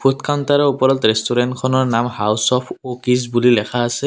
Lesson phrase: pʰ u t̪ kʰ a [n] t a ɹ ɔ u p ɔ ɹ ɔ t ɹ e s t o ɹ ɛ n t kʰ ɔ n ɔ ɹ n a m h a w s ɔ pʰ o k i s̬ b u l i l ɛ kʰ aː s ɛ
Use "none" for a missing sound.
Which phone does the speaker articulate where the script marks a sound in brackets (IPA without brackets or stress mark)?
n